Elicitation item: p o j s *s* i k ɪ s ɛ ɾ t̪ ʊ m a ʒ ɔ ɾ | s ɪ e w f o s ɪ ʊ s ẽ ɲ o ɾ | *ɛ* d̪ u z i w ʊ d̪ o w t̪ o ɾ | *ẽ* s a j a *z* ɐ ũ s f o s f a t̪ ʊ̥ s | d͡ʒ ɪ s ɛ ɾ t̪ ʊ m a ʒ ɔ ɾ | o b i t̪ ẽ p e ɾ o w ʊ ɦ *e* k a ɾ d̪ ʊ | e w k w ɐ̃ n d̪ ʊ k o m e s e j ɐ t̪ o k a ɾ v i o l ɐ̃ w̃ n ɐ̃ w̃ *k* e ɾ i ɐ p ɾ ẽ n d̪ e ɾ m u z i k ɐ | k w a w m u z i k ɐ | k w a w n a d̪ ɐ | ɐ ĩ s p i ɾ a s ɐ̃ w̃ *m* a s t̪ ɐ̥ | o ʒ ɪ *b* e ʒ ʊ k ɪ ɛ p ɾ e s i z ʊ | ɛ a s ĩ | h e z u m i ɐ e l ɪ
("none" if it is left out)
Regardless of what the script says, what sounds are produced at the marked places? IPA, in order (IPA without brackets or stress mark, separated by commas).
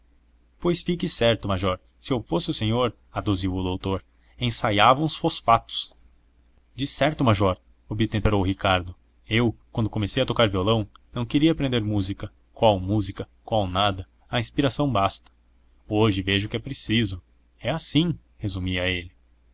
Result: f, a, ẽ, v, i, k, b, v